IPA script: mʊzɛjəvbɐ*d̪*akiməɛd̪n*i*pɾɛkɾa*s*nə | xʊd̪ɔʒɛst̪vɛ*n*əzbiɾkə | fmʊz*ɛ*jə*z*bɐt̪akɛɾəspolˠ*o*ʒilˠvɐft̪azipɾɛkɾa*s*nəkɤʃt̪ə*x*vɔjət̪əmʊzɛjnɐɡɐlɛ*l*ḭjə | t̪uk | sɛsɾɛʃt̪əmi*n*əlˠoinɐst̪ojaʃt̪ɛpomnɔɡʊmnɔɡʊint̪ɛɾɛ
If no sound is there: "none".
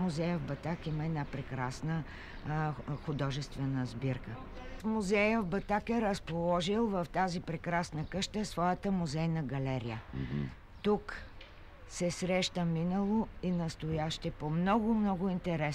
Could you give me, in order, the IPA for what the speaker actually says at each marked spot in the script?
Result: t̪, a, s, n, ɛ, v, ɔ, s, s, ɾ, n

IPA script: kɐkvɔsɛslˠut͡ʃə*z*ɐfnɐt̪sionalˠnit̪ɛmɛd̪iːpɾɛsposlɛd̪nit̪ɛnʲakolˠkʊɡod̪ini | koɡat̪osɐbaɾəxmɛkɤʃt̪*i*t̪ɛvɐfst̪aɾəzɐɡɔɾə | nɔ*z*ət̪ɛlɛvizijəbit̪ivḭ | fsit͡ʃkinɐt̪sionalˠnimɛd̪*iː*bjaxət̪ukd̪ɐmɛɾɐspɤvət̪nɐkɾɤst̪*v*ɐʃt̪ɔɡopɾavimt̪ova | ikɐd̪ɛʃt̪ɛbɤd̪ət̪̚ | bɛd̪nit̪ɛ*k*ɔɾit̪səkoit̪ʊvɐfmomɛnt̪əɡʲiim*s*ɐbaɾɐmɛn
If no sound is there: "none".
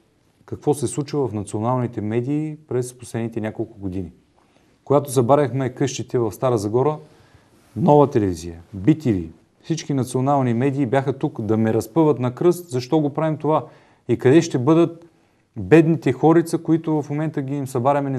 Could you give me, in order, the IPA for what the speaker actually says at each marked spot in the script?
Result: v, i, v, iː, z, x, s

